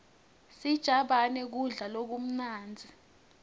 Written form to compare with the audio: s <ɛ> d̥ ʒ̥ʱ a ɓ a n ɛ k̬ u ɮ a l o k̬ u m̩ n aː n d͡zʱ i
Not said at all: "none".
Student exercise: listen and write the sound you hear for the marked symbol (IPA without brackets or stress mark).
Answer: i